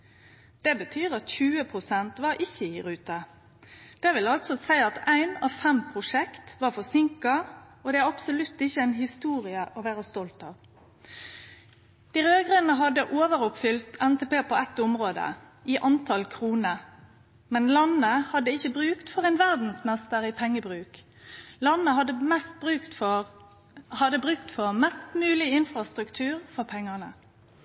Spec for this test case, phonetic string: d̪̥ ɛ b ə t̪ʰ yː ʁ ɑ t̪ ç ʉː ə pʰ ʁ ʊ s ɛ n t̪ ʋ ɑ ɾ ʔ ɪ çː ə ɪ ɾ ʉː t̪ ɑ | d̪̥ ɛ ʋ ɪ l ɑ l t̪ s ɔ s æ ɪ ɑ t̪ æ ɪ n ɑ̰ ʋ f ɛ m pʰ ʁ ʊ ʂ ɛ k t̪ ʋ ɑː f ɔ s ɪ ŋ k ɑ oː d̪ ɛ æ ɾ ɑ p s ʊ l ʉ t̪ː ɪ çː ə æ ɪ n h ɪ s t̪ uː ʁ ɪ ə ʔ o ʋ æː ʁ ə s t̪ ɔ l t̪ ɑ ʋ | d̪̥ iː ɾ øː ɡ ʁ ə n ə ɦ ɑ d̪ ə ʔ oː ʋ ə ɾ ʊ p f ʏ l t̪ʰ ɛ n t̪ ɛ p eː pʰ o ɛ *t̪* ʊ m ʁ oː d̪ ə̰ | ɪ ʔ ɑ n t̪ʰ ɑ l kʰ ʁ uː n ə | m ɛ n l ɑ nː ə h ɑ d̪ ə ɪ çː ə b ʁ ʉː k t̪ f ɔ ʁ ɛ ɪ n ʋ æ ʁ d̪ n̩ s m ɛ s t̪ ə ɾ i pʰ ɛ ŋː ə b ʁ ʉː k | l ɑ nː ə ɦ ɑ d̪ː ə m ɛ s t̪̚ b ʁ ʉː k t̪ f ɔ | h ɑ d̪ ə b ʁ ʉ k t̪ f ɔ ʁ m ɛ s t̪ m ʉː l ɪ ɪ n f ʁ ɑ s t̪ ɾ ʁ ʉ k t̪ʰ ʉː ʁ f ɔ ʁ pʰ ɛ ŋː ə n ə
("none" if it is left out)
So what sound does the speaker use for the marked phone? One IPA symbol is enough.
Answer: t̪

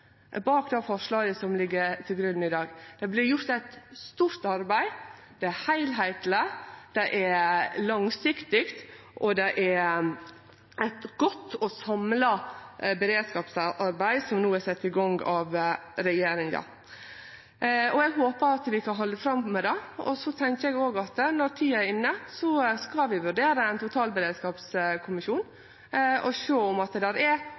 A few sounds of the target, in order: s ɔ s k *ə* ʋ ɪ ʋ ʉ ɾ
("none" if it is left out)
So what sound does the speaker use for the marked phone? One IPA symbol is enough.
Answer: ɑ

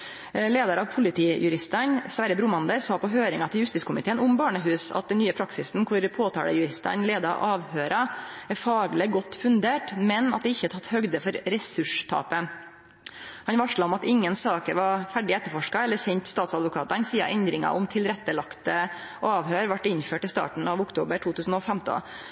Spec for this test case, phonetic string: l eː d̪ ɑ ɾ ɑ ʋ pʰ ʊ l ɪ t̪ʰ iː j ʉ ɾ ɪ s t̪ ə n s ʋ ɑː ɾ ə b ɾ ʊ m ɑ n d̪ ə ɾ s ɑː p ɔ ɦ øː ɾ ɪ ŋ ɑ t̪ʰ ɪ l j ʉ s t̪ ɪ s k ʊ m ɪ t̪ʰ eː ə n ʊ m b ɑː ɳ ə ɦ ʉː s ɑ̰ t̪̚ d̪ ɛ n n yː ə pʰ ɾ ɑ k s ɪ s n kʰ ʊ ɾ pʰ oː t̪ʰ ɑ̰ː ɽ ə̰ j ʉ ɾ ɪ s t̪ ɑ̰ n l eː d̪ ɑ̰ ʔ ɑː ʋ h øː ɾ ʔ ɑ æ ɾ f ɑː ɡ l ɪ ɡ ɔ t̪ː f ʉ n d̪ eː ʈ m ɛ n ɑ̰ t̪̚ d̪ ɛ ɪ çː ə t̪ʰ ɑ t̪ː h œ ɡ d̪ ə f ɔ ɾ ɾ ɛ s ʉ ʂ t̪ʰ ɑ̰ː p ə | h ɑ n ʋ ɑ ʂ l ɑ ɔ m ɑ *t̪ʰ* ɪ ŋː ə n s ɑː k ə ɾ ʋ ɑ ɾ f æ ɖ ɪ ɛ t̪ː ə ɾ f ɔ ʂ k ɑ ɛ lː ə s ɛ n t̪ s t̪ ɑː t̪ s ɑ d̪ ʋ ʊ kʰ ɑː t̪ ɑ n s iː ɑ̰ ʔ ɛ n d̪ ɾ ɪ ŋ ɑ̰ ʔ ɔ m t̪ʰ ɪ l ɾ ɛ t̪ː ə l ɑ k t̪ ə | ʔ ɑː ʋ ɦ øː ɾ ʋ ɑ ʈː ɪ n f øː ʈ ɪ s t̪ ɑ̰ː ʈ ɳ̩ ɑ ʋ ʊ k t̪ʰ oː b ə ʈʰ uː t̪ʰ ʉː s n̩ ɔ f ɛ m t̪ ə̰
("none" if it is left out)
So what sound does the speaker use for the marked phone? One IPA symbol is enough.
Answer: t̪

